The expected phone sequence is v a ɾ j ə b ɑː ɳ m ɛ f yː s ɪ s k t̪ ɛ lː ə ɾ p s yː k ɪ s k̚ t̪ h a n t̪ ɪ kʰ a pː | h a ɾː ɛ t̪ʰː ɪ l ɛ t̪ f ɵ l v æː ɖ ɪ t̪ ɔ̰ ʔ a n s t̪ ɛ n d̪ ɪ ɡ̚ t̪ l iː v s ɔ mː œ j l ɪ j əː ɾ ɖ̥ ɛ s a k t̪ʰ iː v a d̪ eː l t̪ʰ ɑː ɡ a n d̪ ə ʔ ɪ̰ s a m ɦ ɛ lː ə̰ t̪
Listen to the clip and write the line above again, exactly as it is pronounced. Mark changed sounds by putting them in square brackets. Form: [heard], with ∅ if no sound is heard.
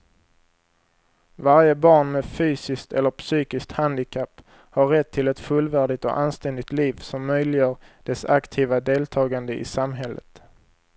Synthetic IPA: v a ɾ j ə b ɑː ɳ m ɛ f yː s ɪ s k t̪ ɛ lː ə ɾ p s yː k ɪ s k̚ t̪ h a n [d̪] ɪ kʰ a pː | h a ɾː ɛ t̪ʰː ɪ l ɛ t̪ f ɵ l v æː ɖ ɪ t̪ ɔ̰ ʔ a n s t̪ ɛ n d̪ ɪ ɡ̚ t̪ l iː v s ɔ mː œ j l ɪ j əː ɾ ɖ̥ ɛ s a k t̪ʰ iː v a d̪ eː l t̪ʰ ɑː ɡ a n d̪ ə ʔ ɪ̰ s a m ɦ ɛ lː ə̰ t̪